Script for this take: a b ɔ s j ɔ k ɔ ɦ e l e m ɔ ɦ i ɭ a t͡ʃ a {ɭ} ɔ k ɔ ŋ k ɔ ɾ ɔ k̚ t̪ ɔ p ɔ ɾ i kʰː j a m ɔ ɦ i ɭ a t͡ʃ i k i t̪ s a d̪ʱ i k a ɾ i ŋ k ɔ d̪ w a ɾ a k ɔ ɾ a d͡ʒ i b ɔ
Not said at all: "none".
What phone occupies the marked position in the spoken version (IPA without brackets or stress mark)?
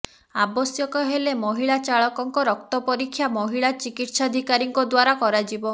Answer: ɭ